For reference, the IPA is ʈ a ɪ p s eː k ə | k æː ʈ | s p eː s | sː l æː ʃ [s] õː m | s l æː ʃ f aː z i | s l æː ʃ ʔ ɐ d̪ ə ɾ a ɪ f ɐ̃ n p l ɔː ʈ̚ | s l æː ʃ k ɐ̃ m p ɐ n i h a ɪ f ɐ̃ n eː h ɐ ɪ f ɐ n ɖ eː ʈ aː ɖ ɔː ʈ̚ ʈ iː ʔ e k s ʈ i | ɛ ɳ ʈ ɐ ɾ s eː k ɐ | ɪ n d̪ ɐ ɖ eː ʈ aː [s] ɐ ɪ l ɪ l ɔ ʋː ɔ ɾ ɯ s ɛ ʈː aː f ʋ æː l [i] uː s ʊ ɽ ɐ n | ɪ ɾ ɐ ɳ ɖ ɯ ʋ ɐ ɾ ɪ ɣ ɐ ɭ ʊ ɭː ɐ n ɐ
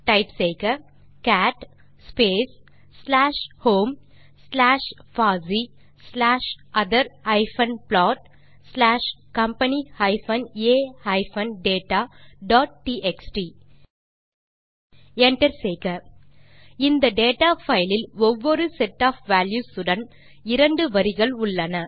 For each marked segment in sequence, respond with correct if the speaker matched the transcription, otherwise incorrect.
incorrect, incorrect, incorrect

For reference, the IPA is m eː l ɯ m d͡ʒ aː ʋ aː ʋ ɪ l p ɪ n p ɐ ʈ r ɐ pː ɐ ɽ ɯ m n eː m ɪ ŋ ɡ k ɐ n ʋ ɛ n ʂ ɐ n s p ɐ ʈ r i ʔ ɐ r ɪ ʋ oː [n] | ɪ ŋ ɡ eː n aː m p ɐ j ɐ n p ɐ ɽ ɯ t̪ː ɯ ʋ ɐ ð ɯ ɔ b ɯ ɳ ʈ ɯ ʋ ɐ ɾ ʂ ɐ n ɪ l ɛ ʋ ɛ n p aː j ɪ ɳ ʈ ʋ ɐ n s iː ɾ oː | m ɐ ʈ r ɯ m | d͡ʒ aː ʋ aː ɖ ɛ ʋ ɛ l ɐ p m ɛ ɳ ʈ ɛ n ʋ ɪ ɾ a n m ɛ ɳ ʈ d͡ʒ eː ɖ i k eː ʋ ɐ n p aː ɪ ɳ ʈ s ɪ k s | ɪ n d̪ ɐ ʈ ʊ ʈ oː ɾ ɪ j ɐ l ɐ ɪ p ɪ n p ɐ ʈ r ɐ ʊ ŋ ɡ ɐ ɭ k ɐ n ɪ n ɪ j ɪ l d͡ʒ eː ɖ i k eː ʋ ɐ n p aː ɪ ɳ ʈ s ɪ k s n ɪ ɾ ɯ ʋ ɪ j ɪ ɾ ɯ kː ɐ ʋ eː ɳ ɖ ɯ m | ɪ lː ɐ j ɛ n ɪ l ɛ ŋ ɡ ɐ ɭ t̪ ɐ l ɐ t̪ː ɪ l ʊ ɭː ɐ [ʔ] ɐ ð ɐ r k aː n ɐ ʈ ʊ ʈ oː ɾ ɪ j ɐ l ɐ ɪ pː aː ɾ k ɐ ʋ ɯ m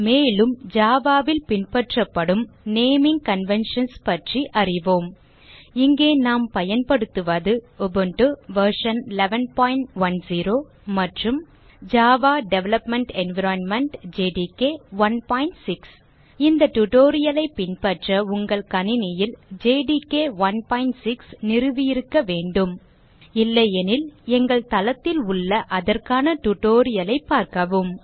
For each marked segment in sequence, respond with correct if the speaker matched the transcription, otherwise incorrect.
incorrect, correct

